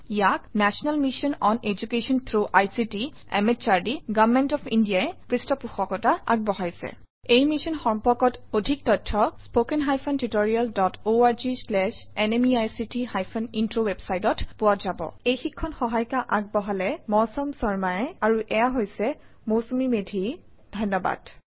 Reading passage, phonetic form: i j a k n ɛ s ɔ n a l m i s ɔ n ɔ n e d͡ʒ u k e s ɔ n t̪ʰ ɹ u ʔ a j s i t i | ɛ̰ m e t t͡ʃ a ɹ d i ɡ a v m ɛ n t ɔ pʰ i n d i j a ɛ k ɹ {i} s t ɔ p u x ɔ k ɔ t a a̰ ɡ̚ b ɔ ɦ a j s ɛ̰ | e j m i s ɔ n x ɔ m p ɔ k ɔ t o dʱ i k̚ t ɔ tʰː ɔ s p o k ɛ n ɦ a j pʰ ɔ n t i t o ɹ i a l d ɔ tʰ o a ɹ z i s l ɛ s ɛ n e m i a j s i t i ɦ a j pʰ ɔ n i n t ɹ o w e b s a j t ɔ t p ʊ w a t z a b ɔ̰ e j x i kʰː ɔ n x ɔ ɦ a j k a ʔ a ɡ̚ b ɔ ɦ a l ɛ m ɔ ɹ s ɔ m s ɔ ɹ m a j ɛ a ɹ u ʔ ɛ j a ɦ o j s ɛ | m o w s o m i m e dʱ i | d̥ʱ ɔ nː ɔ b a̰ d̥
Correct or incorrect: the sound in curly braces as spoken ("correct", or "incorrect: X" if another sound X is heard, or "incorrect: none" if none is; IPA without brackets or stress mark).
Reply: correct